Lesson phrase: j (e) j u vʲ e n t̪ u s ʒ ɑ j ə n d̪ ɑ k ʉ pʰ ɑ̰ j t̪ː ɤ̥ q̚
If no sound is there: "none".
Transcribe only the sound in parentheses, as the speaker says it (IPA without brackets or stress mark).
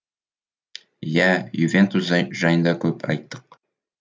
æ